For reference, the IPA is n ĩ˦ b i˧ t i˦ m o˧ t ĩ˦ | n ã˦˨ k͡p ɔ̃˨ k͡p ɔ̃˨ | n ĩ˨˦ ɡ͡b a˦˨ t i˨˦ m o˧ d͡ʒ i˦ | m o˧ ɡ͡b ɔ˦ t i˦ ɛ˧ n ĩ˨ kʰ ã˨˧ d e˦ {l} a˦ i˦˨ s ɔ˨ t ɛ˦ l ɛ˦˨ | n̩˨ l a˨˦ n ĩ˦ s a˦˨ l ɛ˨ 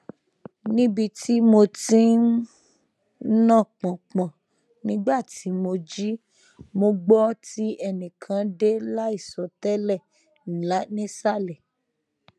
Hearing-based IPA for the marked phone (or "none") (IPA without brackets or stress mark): l